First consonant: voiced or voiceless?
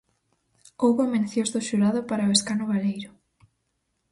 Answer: voiced